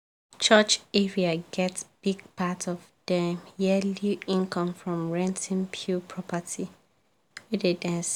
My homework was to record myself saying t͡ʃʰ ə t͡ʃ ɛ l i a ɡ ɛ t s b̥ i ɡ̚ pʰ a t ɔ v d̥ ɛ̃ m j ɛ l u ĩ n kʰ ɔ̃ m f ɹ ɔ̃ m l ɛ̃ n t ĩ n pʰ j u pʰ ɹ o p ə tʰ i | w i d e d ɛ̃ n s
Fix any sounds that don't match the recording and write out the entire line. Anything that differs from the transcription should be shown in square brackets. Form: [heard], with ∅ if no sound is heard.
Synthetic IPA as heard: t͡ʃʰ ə t͡ʃ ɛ [ɹ] i a ɡ ɛ t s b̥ i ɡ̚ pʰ a t ɔ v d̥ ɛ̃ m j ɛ l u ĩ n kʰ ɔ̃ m f ɹ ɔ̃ m [ɹ] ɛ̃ n t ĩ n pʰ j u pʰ ɹ [ɔ] p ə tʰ i | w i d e d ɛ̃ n s